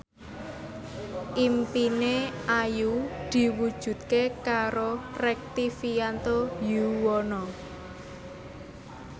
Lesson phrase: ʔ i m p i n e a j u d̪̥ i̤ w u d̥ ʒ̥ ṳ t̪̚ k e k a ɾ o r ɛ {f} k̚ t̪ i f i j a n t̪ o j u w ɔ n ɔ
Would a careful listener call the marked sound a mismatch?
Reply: yes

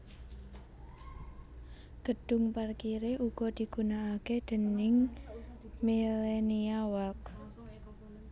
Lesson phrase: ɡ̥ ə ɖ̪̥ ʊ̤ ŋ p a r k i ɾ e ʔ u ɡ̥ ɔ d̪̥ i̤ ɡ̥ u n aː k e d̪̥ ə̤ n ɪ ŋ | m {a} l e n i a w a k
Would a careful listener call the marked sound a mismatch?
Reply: yes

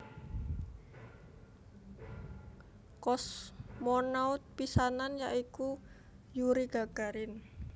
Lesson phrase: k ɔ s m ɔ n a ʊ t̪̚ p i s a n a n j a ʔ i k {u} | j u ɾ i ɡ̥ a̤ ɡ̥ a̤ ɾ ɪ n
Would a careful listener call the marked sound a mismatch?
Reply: no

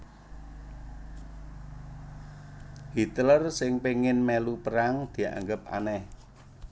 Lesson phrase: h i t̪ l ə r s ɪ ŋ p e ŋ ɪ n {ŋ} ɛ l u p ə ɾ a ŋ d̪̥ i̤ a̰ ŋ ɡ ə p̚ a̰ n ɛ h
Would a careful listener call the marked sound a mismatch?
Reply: yes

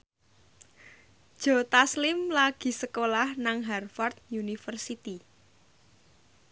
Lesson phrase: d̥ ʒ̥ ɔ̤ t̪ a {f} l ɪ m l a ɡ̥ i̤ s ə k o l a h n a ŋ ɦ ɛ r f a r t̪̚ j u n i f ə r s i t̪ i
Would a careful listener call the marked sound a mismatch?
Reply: yes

